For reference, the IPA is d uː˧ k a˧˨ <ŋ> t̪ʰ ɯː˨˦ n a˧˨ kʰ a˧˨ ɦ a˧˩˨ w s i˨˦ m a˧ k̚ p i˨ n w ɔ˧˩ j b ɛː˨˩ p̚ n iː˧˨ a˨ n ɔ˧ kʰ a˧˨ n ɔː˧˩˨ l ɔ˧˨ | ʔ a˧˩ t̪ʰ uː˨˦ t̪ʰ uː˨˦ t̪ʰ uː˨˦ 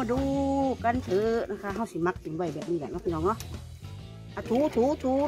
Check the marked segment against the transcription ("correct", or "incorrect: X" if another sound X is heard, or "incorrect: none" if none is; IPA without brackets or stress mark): incorrect: n